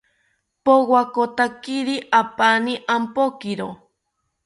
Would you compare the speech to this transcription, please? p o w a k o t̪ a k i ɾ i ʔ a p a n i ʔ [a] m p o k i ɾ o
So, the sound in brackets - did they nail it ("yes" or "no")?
yes